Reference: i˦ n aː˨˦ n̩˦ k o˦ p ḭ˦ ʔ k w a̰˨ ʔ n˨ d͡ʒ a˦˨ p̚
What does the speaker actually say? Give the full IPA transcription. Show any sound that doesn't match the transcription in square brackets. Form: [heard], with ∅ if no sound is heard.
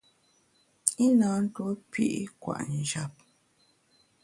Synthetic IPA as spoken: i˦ n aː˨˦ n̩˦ [t] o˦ p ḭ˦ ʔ k w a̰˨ ʔ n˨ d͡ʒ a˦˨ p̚